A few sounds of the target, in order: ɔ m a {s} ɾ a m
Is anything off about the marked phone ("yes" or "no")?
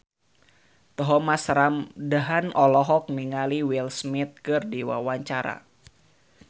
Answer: no